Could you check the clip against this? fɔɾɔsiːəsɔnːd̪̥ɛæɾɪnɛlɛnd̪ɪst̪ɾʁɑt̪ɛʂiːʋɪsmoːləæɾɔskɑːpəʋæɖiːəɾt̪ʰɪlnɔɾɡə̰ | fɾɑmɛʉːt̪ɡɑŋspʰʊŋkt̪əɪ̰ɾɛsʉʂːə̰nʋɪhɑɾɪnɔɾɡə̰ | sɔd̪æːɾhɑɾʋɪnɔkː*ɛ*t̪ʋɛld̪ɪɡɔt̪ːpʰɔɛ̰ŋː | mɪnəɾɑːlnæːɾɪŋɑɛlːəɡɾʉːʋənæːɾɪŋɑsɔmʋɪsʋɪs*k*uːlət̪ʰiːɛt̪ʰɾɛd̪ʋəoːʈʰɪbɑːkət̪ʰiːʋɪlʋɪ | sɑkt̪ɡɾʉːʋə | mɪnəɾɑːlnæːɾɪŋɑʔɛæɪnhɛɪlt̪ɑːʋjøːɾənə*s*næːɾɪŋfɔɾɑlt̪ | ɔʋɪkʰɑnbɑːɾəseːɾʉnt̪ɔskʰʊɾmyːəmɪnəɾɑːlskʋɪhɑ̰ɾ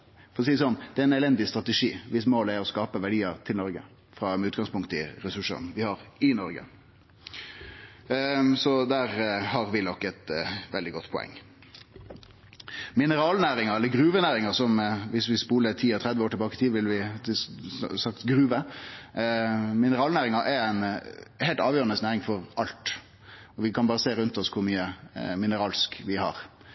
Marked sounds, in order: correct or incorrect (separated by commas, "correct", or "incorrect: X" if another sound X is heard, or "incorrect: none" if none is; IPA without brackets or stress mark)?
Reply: correct, incorrect: p, correct